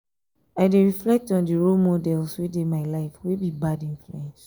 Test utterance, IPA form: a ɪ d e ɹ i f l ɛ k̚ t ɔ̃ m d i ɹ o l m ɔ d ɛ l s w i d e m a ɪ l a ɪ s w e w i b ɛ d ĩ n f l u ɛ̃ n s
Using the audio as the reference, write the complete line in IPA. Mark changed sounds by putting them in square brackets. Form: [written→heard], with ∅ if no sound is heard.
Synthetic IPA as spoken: a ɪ d e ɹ i f l ɛ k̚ t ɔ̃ [m→n] d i ɹ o l m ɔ d ɛ l s w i d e m a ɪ l a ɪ [s→f] w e [w→b] i b [ɛ→a] d ĩ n f l u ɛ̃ n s